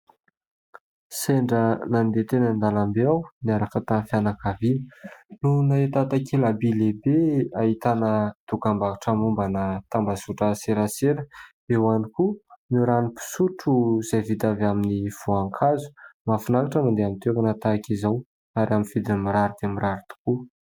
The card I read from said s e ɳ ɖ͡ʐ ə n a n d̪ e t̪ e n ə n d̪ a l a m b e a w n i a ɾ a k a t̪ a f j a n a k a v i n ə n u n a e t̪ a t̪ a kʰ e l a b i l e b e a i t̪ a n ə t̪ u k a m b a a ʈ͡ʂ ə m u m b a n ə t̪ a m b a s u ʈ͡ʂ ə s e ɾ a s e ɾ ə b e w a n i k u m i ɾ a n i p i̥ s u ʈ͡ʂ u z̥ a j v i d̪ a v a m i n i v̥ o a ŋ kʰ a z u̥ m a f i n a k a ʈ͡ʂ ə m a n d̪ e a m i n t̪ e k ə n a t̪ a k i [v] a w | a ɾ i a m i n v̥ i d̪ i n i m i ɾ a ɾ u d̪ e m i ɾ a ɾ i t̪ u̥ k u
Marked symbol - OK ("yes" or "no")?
no